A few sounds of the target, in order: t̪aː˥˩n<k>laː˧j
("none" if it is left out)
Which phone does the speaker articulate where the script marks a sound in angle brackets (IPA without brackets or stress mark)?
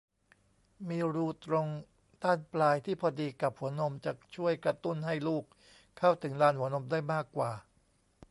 p